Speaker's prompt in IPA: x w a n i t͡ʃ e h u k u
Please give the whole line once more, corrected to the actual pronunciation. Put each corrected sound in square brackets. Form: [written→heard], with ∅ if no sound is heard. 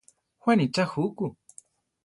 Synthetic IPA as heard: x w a n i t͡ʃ [e→a] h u k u